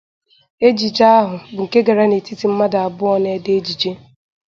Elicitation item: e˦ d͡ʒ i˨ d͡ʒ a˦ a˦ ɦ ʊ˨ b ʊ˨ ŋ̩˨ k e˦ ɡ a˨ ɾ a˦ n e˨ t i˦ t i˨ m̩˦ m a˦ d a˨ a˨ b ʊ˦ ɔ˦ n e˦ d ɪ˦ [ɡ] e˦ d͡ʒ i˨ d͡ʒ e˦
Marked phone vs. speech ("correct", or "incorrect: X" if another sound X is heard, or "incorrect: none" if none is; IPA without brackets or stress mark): incorrect: none